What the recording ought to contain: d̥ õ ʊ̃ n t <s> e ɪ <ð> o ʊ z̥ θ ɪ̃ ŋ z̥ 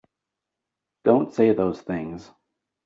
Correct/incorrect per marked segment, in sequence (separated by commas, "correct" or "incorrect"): correct, correct